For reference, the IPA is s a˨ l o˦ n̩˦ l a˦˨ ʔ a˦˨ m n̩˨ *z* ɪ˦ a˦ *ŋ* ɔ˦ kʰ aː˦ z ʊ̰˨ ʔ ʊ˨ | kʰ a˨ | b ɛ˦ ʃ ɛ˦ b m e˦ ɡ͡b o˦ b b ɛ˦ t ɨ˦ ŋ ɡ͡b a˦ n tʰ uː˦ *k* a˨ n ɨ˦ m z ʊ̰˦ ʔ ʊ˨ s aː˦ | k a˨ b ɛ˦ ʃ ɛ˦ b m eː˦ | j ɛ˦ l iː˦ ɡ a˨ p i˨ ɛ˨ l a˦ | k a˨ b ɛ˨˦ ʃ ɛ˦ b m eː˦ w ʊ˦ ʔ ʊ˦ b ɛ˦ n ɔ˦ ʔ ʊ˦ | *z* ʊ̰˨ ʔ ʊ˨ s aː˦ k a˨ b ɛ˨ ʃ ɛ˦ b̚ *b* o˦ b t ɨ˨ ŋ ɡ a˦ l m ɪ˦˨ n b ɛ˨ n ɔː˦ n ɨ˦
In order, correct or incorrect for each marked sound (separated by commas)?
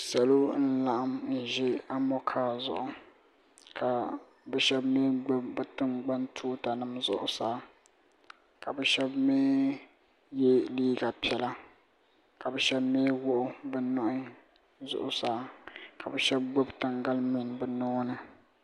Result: incorrect, incorrect, incorrect, correct, incorrect